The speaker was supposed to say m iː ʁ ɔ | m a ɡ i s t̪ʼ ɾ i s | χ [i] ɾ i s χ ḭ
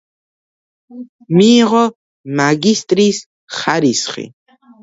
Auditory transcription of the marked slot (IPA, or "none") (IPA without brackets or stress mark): a